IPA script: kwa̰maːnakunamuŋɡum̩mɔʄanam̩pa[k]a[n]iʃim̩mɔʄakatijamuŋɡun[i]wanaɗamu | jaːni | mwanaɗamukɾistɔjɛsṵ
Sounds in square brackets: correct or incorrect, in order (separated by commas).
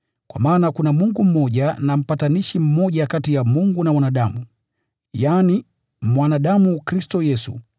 incorrect, correct, incorrect